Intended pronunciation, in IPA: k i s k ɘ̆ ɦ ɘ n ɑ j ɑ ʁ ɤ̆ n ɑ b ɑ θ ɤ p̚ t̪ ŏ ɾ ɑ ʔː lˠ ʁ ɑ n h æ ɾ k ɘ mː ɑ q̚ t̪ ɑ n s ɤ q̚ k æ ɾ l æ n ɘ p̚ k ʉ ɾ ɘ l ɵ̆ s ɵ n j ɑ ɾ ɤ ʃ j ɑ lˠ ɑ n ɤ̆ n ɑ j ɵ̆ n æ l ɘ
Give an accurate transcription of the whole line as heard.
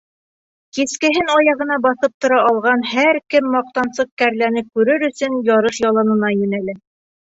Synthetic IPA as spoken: k i s k ɘ̆ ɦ ɘ n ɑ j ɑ ʁ ɤ̆ n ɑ b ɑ θ ɤ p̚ t̪ ŏ ɾ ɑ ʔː lˠ ʁ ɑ n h æ ɾ k ɘ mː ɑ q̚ t̪ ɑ n s ɤ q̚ k æ ɾ l æ n ɘ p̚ k ʉ ɾ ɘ ɾ ɵ̆ s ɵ n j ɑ ɾ ɤ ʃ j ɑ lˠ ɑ n ɤ̆ n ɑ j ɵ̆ n æ l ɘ